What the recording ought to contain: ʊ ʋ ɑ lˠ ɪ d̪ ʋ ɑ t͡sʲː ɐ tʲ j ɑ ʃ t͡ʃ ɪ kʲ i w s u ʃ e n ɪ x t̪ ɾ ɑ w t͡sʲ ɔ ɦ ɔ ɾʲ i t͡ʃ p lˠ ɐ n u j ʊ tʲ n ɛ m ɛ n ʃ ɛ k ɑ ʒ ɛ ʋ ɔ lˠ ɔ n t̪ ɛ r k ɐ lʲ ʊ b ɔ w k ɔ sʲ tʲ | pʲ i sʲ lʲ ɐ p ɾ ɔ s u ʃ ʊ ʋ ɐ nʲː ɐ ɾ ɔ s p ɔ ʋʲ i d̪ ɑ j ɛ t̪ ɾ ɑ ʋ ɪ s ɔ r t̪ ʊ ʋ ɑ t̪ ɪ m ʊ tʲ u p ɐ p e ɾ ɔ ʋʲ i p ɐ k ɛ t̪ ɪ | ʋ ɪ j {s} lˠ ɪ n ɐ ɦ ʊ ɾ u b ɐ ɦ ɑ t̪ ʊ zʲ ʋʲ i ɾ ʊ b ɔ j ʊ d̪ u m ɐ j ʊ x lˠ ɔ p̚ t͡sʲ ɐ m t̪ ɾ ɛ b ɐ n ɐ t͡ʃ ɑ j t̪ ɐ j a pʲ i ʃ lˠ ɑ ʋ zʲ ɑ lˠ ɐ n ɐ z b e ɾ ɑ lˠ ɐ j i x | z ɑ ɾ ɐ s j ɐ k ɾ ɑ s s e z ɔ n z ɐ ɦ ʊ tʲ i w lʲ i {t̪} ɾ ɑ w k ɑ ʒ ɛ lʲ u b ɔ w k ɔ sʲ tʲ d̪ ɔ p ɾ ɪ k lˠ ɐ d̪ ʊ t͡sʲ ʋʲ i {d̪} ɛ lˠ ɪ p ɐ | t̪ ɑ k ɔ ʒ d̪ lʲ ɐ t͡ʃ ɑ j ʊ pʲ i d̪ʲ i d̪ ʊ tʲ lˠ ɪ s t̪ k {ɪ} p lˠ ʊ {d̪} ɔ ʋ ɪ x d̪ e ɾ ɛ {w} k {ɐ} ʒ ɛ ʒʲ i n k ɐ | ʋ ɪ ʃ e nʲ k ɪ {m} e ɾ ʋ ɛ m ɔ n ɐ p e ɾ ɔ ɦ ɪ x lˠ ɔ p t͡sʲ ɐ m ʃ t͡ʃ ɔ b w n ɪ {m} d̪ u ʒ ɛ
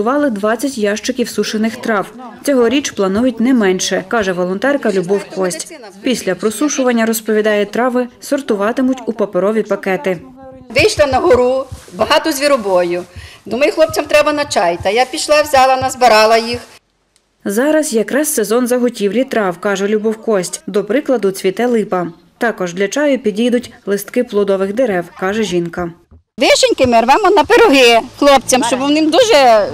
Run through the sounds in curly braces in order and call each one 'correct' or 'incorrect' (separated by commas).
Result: incorrect, correct, incorrect, correct, correct, correct, incorrect, correct, correct